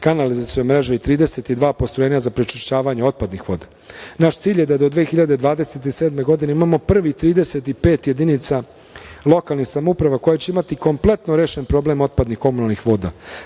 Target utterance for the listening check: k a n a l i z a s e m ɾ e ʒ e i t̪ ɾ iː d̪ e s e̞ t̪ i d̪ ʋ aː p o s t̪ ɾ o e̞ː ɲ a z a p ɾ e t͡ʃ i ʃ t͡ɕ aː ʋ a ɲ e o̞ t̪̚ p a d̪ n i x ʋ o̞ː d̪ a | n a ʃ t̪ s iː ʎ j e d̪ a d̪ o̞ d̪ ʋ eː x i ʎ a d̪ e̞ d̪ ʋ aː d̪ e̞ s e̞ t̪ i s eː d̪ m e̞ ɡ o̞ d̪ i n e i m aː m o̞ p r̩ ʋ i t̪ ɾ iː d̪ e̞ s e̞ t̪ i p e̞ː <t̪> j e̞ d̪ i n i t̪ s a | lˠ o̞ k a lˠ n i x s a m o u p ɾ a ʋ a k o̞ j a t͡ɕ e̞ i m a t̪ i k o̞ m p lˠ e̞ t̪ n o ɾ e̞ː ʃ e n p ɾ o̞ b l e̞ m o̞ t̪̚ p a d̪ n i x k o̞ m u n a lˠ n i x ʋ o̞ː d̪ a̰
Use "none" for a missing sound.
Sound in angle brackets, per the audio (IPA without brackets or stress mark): t̪